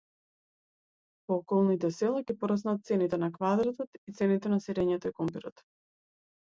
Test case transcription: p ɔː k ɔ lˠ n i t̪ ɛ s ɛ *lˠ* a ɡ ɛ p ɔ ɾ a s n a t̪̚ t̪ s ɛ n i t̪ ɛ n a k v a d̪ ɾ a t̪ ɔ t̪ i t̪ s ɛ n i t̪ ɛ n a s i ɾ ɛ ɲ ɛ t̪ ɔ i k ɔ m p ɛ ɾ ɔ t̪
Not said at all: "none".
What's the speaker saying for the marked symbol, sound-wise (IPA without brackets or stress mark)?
lˠ